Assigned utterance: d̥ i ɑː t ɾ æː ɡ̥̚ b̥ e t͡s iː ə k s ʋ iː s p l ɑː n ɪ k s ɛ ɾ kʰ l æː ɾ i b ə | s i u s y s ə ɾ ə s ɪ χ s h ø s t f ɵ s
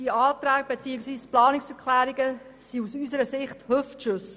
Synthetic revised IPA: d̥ i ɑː t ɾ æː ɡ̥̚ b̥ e t͡s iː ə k s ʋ iː s p l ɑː n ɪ k s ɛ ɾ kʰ l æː ɾ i ɡ ə | s i u s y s ə ɾ ə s ɪ χ t h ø f t ʃ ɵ s